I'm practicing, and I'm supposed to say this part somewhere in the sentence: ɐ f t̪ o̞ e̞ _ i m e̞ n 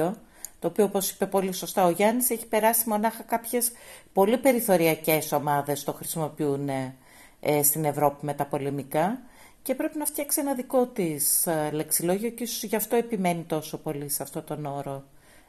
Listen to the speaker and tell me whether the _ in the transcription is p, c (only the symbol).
p